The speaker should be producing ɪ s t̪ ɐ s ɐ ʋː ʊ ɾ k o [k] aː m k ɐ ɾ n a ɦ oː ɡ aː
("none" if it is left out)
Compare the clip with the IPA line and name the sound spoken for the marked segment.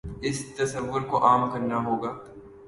ʔ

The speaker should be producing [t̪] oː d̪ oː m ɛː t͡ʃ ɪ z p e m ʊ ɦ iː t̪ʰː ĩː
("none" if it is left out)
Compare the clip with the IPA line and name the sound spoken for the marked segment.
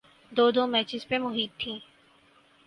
d̪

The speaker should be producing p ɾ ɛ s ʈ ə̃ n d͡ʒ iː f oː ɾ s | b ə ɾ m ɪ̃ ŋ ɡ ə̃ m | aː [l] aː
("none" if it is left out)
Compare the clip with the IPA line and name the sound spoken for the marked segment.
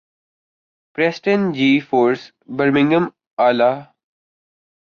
l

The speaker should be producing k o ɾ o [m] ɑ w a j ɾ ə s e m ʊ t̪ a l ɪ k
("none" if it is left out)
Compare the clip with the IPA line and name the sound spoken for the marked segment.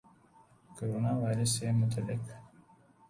n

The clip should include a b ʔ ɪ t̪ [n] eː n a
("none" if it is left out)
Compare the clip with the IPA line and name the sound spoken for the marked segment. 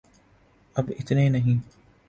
n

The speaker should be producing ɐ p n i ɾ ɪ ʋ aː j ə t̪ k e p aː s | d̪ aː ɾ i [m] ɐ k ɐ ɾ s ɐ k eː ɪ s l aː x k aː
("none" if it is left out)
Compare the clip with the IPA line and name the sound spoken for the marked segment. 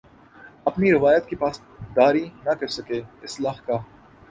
n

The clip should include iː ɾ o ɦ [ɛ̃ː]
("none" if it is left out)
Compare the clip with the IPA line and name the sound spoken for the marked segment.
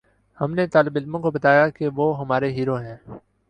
ɛ̃ː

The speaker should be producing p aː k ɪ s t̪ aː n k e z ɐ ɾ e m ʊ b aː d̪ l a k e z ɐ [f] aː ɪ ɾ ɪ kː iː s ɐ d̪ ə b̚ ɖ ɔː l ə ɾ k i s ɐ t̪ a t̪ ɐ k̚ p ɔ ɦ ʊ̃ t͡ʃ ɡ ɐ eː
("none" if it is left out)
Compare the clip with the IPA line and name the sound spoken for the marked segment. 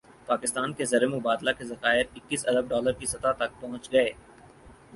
x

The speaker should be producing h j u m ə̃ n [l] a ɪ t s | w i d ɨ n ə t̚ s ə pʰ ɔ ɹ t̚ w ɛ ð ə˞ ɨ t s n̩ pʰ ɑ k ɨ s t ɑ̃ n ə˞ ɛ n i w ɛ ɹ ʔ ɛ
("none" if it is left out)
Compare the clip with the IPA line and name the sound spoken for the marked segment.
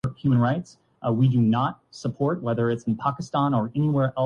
ɹ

